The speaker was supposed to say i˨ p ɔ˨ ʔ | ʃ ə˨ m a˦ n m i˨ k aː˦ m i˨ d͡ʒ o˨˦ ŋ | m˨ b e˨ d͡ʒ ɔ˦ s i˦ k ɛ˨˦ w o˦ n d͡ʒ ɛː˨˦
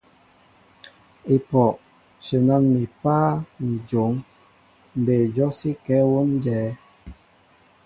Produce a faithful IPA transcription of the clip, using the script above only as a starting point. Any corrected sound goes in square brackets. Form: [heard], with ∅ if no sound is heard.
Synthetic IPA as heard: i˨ p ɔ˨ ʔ | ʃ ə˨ [n] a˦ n m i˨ [p] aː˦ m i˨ d͡ʒ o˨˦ ŋ | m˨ b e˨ d͡ʒ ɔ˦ s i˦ k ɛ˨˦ w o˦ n d͡ʒ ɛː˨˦